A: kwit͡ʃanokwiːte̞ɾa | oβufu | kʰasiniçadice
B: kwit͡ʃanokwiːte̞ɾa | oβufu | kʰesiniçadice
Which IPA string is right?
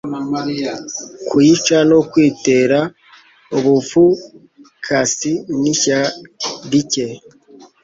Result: A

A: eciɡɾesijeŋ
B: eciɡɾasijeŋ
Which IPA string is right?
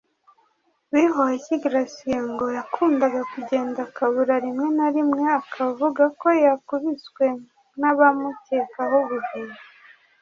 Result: B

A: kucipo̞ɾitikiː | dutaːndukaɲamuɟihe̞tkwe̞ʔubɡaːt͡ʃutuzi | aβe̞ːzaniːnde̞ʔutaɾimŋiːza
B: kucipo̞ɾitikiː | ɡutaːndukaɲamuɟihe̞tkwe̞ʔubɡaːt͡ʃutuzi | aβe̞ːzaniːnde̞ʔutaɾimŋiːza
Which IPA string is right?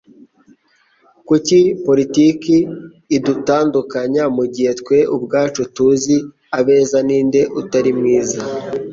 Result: A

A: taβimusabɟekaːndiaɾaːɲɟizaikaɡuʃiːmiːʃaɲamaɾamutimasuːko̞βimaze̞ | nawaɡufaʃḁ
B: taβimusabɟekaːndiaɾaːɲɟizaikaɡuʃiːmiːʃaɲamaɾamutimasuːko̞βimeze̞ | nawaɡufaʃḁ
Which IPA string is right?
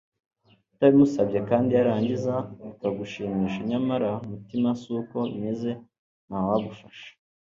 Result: B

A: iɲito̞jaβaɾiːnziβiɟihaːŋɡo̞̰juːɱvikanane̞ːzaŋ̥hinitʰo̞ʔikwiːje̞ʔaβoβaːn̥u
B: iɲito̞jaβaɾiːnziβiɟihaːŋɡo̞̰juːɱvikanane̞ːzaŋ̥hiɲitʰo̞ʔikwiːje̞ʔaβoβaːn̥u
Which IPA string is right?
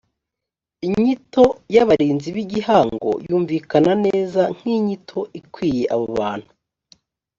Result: B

